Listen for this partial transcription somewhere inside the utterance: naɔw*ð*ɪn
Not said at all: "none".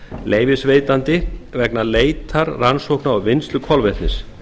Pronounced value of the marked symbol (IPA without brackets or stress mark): v